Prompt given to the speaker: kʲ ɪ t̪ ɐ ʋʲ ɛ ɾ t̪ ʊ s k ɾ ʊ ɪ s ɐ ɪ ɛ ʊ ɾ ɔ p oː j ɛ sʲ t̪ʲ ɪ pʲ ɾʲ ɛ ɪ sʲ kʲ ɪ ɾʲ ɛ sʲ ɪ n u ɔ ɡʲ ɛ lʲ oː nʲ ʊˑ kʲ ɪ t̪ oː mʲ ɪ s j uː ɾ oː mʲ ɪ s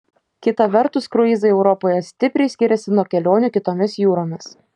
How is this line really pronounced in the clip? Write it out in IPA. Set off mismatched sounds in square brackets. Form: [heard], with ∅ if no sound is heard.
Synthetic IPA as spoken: kʲ ɪ t̪ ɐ ʋʲ ɛ ɾ t̪ ʊ s k ɾ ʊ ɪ [z] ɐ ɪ ɛ ʊ ɾ ɔ p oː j ɛ sʲ t̪ʲ ɪ pʲ ɾʲ ɛ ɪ sʲ kʲ ɪ ɾʲ ɛ sʲ ɪ n u ɔ [kʲ] ɛ lʲ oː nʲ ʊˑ kʲ ɪ t̪ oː mʲ ɪ s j uː ɾ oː mʲ ɪ s